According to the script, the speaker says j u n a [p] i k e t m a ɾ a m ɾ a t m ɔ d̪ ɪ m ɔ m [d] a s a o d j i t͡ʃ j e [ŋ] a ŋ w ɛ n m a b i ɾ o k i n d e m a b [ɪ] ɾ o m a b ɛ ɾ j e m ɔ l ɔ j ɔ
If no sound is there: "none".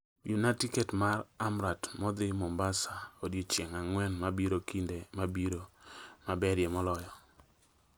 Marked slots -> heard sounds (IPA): t, b, ŋ, i

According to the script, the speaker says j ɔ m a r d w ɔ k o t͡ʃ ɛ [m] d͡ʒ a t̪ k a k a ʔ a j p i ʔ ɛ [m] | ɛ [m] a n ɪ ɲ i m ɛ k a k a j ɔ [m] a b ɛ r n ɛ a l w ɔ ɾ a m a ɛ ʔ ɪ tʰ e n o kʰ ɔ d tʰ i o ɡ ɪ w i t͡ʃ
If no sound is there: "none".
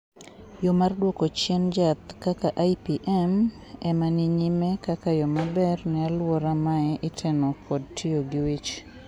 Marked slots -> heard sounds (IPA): n, m, m, m

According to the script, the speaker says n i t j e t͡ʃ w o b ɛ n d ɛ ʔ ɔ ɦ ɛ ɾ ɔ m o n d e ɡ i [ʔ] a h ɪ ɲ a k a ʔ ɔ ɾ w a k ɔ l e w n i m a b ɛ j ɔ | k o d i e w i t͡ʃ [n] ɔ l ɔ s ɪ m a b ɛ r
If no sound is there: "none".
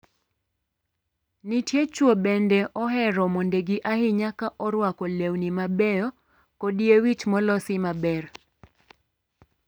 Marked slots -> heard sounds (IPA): ʔ, m

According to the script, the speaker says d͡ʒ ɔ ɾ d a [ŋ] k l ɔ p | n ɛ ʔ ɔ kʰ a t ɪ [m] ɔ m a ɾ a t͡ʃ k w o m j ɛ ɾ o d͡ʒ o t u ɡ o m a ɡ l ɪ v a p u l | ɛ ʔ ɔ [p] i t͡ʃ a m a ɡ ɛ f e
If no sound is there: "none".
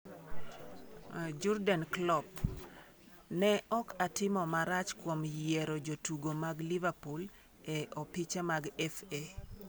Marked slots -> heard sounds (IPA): n, m, p

